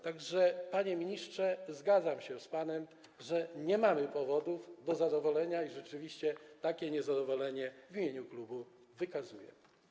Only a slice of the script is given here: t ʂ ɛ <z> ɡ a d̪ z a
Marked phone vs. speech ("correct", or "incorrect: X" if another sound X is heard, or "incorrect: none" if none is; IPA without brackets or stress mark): correct